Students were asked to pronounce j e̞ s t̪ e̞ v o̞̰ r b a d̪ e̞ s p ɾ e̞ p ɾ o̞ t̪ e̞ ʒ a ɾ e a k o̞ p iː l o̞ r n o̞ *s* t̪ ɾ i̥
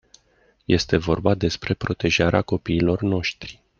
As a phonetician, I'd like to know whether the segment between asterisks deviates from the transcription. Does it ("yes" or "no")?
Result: yes